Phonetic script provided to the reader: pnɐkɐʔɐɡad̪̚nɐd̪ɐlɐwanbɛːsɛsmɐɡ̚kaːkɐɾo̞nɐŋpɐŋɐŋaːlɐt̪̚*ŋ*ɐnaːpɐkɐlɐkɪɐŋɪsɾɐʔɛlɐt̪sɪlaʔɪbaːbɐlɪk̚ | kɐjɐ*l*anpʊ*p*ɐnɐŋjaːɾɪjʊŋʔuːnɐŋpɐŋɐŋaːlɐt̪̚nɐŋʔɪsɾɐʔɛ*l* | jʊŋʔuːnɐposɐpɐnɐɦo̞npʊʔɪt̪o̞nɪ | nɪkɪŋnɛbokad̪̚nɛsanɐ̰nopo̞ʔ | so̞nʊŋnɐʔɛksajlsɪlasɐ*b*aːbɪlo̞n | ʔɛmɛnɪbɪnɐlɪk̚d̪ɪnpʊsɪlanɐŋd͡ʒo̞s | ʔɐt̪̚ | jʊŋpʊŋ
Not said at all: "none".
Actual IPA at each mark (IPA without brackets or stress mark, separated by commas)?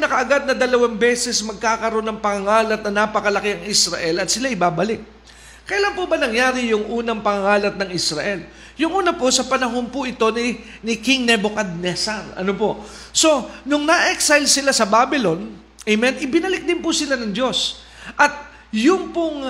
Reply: n, l, b, l, b